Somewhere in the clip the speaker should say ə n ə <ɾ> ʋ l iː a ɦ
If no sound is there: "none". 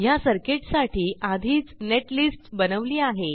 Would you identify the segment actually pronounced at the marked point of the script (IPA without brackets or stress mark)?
none